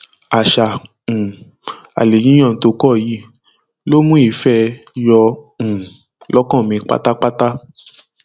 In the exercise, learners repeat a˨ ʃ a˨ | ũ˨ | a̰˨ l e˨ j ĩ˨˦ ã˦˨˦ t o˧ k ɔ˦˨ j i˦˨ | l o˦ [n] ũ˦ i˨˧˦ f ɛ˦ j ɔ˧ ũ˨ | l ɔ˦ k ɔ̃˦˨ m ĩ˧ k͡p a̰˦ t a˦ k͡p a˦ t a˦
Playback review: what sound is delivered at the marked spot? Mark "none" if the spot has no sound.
m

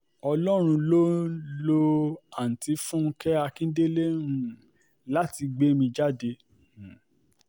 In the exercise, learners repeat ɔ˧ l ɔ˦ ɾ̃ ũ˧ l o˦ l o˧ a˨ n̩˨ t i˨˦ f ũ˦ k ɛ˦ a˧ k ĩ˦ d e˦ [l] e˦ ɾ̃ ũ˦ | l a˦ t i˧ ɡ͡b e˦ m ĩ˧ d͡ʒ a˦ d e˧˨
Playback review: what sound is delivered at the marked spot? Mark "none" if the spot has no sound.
l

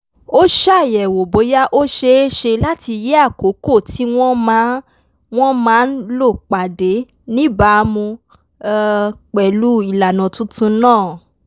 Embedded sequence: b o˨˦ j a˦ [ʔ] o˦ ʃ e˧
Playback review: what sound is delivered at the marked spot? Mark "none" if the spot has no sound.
ʔ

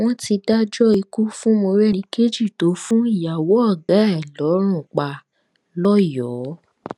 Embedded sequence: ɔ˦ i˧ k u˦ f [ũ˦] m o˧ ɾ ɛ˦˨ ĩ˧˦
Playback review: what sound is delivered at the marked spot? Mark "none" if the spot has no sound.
ũ˦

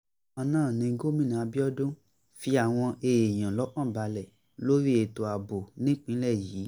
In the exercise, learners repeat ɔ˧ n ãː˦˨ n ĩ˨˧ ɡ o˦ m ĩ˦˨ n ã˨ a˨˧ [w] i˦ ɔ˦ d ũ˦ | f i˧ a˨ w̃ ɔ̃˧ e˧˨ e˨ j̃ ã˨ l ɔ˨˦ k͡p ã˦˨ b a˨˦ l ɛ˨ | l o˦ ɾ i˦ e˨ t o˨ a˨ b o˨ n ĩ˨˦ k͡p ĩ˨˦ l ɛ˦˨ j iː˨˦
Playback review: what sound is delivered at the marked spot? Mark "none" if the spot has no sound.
b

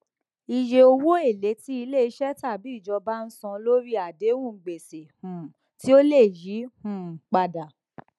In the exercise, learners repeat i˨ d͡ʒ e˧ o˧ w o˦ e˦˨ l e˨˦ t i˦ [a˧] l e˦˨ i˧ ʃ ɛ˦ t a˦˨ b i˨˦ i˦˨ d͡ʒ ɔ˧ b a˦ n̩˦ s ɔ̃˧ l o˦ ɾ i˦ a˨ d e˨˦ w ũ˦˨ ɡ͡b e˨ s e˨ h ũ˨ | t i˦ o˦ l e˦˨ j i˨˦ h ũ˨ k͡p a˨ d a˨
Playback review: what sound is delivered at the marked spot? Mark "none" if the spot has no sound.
i˧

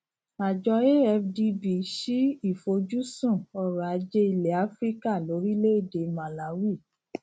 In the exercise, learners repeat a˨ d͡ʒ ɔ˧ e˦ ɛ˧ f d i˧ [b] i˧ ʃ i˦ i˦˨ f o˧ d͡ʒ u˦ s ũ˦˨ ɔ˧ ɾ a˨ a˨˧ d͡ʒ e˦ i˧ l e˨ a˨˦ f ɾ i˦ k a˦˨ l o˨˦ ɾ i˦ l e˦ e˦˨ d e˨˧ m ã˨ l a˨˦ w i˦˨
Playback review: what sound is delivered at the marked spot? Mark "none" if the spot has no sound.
b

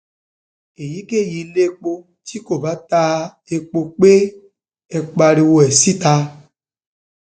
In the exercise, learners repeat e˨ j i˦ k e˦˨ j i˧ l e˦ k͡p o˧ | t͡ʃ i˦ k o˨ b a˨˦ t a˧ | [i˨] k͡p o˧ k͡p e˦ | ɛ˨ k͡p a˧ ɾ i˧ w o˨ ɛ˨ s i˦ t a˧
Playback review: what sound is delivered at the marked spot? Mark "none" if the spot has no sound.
e˨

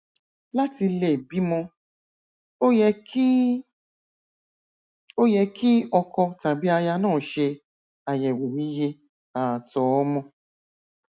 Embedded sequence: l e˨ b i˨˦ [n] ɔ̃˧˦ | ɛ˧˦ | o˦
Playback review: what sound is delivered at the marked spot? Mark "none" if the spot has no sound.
m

